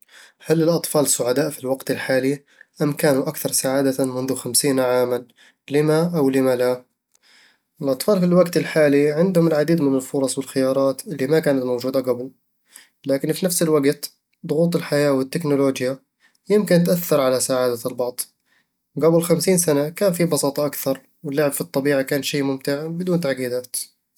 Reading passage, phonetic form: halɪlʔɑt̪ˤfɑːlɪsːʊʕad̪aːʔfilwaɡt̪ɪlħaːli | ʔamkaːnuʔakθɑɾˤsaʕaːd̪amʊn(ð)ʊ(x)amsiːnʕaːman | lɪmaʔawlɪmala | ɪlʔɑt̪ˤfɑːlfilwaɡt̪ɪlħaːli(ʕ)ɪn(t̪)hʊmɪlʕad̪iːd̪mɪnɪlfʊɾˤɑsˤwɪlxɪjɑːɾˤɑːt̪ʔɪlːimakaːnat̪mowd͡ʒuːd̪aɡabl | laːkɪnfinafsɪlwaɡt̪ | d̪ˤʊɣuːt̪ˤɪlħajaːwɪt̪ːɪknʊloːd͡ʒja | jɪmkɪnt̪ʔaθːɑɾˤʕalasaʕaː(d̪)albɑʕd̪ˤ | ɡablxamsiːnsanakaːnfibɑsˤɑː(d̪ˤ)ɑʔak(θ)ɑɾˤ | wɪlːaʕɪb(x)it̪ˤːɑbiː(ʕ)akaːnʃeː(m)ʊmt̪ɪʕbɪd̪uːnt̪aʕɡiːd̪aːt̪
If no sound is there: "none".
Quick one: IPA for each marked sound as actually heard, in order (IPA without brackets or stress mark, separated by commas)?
ð, x, ʕ, d̪, d̪, t̪ˤ, θ, f, ʕ, m